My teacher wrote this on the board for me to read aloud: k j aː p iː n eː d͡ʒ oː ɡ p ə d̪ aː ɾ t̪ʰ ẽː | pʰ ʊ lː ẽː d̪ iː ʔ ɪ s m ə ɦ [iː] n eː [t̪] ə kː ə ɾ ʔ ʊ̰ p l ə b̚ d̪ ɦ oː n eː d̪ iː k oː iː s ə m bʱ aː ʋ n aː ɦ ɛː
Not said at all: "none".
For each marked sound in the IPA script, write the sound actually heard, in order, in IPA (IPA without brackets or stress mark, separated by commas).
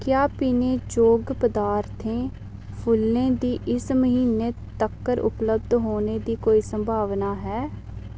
iː, t̪